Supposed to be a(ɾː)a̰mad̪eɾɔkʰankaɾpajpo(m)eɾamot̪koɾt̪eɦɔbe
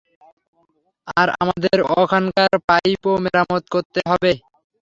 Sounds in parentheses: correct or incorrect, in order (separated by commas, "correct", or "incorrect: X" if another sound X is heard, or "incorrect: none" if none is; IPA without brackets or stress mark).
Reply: incorrect: ɾ, correct